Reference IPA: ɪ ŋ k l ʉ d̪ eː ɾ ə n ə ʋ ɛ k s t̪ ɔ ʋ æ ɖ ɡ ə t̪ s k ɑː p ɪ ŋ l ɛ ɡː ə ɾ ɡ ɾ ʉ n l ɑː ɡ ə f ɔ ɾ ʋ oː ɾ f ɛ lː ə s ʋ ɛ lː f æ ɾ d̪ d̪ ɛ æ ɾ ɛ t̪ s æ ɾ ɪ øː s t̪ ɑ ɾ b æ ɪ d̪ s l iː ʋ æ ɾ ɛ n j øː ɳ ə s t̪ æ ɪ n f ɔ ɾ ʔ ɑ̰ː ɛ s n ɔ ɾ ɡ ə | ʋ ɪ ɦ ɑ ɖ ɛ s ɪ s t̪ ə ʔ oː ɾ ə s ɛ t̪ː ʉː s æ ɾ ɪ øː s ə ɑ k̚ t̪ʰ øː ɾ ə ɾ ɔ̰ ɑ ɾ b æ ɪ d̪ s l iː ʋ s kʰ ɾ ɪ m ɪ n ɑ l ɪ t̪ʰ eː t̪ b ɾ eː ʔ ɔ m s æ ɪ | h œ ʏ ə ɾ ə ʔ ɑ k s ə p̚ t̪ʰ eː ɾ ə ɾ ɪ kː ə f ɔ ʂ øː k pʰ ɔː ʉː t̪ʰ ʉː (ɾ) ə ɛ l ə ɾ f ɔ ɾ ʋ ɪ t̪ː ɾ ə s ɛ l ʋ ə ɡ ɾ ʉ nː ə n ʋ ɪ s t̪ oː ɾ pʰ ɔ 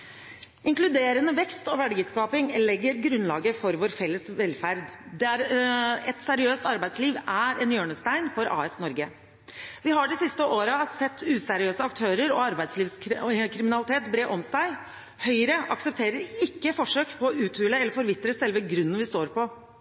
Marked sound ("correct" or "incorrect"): incorrect